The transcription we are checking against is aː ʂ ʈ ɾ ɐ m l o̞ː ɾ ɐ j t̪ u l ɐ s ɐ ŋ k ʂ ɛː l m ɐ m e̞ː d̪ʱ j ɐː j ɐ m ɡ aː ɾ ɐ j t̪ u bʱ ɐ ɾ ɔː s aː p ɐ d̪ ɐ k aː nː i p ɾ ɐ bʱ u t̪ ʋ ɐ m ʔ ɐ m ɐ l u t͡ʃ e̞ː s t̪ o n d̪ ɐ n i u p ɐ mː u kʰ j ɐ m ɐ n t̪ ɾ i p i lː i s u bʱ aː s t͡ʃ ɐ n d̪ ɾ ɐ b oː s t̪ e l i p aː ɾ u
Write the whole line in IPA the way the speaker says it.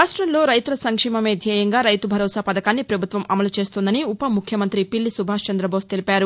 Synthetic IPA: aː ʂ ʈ ɾ ɐ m l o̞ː ɾ ɐ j t̪ u l ɐ s ɐ ŋ k ʂ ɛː m ɐ m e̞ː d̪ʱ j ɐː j ɐ ŋ ɡ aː ɾ ɐ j t̪ u bʱ ɐ ɾ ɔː s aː p ɐ d̪ ɐ k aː nː i p ɾ ɐ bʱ u t̪ ʋ ɐ m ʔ ɐ m ɐ l u t͡ʃ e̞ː s t̪ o n d̪ ɐ n i u p ɐ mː u kʰ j ɐ m ɐ n t̪ ɾ i p i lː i s u bʱ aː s t͡ʃ ɐ n d̪ ɾ ɐ b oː s t̪ e l i p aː ɾ u